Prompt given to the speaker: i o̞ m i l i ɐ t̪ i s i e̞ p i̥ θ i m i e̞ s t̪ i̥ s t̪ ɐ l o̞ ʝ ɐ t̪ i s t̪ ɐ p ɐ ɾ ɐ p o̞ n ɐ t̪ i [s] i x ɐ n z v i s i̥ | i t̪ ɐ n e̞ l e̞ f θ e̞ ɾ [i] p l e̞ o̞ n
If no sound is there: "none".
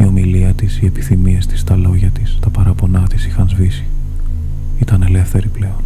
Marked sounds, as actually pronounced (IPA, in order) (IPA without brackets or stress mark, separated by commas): s, i